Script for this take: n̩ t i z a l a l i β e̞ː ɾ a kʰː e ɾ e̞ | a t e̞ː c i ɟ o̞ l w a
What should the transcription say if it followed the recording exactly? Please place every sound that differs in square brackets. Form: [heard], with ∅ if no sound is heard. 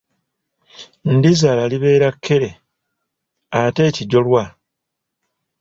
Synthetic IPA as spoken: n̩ [d] i z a l a l i β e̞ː ɾ a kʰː e ɾ e̞ | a t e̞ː c i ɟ o̞ l w a